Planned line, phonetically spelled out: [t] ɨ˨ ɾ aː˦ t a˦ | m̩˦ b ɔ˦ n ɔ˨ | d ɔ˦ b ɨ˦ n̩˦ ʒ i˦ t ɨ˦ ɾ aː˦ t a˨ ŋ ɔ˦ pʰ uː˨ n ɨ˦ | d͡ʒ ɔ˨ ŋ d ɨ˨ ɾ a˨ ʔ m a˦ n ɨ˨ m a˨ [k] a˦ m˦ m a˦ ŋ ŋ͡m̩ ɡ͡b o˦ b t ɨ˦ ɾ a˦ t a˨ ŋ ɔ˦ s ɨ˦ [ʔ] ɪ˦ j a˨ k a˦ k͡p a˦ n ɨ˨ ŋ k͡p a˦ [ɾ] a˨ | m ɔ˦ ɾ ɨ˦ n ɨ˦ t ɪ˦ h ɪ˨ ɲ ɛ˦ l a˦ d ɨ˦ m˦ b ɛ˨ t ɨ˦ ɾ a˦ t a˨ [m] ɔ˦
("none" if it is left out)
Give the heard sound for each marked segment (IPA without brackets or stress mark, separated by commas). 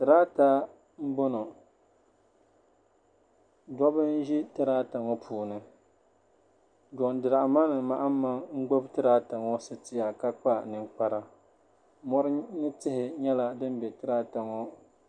t, ʔ, t, ɾ, ŋ